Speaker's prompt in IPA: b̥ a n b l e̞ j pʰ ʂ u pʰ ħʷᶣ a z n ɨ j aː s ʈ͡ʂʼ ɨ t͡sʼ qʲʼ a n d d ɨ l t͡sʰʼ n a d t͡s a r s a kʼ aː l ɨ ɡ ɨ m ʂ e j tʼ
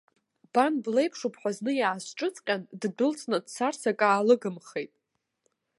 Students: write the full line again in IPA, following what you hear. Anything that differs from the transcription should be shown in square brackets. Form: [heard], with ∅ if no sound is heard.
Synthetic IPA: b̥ a n b l e̞ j pʰ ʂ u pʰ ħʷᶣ a z n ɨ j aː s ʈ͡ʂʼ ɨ t͡sʼ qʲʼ a n d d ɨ l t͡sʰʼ n a d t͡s a r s a kʼ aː l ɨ ɡ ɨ m [χ] e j tʼ